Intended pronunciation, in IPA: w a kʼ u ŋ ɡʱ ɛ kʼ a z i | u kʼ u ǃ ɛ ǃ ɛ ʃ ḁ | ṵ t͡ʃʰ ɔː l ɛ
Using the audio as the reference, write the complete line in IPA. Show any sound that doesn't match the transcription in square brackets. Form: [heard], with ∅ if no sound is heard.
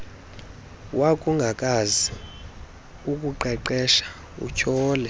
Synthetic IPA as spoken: w a kʼ u ŋ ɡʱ [a] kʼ a z i | u kʼ u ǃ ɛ ǃ ɛ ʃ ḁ | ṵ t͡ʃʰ ɔː l ɛ